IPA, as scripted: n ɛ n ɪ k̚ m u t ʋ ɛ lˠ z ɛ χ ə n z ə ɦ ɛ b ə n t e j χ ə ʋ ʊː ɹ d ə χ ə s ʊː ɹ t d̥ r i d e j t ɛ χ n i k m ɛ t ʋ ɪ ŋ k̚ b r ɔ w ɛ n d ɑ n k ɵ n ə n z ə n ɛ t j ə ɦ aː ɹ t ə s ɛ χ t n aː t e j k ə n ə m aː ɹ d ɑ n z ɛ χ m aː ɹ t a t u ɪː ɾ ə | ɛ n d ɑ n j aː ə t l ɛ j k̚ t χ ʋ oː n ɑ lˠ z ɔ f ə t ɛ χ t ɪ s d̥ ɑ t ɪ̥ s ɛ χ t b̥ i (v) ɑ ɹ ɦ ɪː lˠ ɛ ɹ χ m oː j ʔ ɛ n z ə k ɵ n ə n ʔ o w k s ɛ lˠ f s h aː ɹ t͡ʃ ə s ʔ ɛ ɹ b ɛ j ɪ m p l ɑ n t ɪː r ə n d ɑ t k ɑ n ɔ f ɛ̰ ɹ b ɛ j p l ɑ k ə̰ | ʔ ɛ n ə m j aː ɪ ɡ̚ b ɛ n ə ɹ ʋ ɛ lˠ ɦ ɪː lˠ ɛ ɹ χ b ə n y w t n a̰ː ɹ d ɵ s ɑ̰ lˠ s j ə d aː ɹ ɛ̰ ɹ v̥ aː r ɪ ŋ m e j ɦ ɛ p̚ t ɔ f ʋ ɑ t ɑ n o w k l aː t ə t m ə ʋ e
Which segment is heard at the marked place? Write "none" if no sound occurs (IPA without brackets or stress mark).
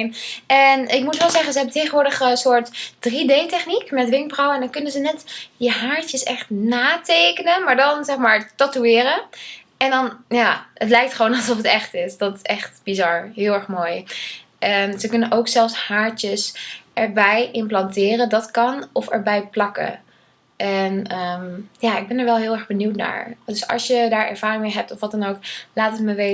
z